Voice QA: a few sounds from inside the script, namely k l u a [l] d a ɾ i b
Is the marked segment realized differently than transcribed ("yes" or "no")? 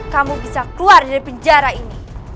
yes